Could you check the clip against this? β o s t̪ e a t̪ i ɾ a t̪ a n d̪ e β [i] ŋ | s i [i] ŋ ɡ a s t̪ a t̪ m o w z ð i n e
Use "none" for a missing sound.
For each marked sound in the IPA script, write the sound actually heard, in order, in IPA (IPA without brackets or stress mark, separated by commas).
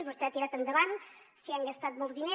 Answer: a, a